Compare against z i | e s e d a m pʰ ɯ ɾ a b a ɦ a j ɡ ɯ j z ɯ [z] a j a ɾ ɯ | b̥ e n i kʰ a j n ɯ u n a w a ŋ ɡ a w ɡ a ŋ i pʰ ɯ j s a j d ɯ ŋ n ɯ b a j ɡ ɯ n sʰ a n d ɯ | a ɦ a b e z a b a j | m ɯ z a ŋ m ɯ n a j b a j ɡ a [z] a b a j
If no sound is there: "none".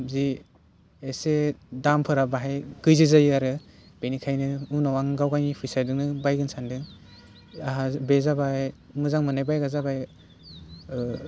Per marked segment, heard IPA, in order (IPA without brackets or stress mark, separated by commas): z, z